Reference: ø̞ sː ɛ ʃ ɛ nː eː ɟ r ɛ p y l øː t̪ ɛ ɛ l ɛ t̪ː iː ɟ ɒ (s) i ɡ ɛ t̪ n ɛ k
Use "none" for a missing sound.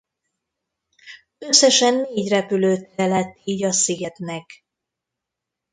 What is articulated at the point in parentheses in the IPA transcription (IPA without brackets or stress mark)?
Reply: s